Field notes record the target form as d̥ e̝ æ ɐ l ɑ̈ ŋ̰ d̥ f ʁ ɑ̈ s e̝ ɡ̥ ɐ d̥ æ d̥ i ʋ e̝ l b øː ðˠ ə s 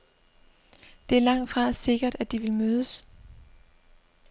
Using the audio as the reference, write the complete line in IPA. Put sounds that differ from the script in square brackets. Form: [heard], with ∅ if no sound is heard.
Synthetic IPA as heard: d̥ e̝ æ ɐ l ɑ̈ ŋ̰ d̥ f ʁ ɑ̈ s e̝ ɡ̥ ɐ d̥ æ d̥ i ʋ e̝ l [m] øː ðˠ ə s